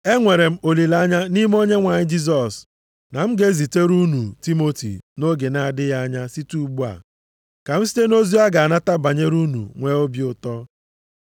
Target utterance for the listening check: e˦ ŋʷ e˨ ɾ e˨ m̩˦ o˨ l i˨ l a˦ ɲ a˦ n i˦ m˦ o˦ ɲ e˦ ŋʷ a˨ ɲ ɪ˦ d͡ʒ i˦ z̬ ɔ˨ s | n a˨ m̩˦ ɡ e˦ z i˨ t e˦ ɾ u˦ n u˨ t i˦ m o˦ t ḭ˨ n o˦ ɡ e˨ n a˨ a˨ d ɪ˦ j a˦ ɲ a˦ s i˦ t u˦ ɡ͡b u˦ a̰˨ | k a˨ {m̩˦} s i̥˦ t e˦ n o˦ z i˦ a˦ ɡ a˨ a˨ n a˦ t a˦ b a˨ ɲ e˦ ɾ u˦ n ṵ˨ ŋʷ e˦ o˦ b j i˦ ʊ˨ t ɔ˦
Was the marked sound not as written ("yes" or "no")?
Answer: no